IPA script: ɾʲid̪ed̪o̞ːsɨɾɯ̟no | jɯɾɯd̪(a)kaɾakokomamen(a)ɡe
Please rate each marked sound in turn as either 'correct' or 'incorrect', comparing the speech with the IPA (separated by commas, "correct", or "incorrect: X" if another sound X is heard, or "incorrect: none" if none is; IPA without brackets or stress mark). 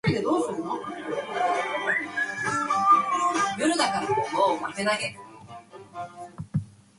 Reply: correct, correct